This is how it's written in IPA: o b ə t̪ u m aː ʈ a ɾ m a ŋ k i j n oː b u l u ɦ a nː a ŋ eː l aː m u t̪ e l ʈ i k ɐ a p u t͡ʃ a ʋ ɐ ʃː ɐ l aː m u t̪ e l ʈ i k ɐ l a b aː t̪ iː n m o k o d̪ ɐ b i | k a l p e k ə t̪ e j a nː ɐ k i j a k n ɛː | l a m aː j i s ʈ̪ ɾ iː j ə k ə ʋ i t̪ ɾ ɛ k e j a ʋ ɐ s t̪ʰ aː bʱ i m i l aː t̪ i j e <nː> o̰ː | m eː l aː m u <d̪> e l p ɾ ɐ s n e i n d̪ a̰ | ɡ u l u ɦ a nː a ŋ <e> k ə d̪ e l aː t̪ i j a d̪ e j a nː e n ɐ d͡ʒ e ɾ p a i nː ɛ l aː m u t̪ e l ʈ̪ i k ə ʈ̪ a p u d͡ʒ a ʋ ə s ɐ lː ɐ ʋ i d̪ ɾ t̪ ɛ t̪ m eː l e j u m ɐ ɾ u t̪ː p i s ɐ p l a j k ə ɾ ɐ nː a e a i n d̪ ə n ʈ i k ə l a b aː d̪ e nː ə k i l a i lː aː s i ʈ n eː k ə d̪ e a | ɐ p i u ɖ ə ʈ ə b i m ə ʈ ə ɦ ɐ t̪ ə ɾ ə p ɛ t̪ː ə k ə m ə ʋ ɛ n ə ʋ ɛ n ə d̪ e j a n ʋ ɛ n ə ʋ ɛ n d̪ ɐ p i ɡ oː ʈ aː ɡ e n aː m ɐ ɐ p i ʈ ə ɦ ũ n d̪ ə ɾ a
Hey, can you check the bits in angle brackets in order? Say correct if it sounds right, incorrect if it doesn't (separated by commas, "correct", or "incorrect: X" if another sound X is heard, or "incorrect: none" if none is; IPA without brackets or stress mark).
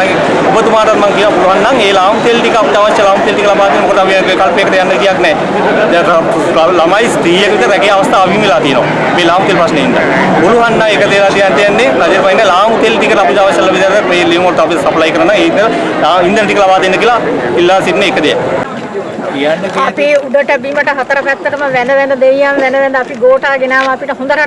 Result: incorrect: n, incorrect: t̪, correct